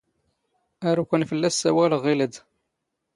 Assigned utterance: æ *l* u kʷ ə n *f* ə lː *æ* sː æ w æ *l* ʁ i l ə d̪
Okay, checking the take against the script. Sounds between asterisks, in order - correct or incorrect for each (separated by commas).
incorrect, correct, correct, correct